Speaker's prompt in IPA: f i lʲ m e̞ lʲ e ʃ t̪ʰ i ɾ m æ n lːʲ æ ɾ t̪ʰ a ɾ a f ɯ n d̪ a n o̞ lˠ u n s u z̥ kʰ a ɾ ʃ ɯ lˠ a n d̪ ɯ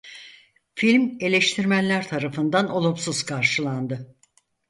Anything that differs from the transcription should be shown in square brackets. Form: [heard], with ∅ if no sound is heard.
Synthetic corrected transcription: f i lʲ m e̞ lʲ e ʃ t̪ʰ i ɾ m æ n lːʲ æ ɾ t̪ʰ a ɾ a f ɯ n d̪ a n o̞ lˠ u [m] s u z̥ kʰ a ɾ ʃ ɯ lˠ a n d̪ ɯ